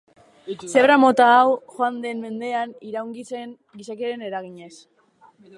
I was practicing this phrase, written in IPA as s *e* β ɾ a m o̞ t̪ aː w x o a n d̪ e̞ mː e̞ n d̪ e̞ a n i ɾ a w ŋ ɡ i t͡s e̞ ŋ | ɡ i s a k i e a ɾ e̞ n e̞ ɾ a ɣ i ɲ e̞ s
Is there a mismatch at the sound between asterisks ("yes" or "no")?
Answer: no